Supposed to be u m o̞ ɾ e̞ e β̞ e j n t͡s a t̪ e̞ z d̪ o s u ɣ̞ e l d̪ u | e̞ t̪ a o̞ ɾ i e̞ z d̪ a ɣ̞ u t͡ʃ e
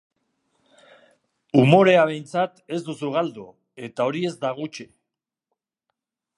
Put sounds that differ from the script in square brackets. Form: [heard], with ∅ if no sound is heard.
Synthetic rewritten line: u m o̞ ɾ e̞ [a] β̞ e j n t͡s a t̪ e̞ z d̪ [u] s u ɣ̞ [a] l d̪ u | e̞ t̪ a o̞ ɾ i e̞ z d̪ a ɣ̞ u t͡ʃ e